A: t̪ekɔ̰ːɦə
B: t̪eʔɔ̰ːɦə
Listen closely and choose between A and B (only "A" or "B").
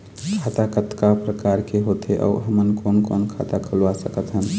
B